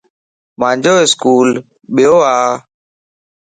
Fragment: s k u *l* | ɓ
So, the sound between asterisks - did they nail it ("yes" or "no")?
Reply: yes